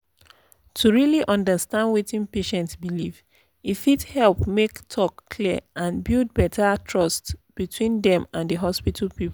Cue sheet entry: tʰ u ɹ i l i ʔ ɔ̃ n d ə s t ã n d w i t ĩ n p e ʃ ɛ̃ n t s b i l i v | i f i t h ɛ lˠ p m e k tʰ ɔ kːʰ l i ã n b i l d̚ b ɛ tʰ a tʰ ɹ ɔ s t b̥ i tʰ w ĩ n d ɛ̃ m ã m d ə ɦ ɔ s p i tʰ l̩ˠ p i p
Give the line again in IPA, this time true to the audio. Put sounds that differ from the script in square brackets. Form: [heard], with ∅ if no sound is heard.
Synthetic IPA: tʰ u ɹ i l i ʔ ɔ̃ n d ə s t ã n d w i t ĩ n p e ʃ ɛ̃ n t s b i l i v | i f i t h ɛ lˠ p m e k tʰ ɔ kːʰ l i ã n b i l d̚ b ɛ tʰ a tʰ ɹ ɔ s t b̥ i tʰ w ĩ n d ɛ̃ m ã [n] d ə ɦ ɔ s p i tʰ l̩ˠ p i p